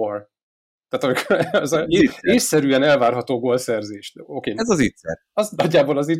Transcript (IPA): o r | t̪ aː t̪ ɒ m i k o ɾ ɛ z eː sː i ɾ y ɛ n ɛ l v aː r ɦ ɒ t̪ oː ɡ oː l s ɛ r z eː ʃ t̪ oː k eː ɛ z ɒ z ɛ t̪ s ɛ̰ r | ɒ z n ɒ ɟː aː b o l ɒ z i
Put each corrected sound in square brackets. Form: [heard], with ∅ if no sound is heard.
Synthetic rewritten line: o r | t̪ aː t̪ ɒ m i k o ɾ ɛ z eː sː [ɛ] ɾ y ɛ n ɛ l v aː r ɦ ɒ t̪ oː ɡ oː l s ɛ r z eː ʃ t̪ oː k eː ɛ z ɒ z [i] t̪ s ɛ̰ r | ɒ z n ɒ ɟː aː b o l ɒ z i